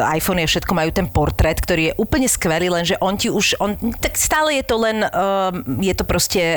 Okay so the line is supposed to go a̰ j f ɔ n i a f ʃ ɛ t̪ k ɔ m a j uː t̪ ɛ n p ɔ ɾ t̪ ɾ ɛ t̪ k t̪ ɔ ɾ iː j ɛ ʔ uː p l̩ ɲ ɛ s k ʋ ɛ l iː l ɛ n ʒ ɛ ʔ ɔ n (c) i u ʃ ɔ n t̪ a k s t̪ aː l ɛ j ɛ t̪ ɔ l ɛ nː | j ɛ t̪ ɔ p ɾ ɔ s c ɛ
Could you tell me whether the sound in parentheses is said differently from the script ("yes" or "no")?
no